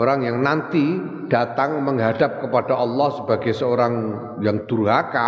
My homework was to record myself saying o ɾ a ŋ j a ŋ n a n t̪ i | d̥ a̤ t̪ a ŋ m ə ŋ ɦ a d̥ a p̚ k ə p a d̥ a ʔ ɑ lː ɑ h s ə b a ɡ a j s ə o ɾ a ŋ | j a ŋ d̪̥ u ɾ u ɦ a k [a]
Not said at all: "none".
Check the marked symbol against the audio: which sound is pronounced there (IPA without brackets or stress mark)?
a